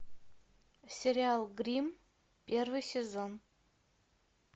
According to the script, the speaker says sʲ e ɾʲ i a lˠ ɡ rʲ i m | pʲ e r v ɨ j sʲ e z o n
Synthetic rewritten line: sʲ e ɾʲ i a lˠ ɡ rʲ i m | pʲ e r v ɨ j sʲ e z o n

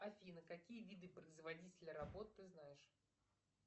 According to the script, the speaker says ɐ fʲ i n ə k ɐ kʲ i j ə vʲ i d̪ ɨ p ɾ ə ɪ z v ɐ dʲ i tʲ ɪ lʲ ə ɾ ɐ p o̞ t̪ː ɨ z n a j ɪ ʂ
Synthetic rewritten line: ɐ fʲ i n ə k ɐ kʲ i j ə vʲ i d̪ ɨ p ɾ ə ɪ z v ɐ dʲ i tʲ ɪ lʲ ə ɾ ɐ b o̞ t̪ː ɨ z n a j ɪ ʂ

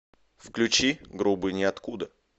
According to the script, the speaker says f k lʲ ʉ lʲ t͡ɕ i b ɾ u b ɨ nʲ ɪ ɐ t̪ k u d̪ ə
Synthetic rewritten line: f k lʲ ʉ t͡ɕ i ɡ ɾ u b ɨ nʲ ɪ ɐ t̪ k u d̪ ə

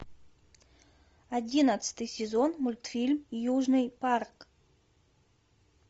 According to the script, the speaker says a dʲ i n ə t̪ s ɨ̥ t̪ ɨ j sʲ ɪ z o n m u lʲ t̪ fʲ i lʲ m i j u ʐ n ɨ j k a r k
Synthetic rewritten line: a dʲ i n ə t̪ s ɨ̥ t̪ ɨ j sʲ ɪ z o n m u lʲ t̪ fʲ i lʲ m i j u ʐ n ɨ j p a r k

